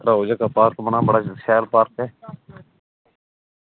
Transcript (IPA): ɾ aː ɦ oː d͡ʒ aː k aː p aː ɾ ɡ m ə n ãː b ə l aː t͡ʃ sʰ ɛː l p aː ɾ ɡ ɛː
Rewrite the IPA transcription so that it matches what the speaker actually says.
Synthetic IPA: ɾ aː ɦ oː d͡ʒ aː k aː p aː ɾ k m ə n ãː b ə ɽ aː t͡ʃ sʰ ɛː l p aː ɾ k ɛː